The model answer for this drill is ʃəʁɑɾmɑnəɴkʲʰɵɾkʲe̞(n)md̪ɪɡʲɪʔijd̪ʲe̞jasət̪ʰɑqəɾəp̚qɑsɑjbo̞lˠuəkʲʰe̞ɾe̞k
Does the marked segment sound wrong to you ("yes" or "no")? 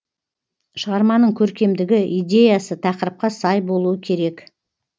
yes